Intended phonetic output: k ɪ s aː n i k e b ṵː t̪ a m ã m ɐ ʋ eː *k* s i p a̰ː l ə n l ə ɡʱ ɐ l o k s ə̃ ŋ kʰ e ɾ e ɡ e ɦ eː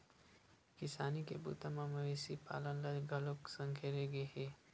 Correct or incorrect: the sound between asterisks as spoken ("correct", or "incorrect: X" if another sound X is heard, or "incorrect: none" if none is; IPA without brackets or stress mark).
incorrect: none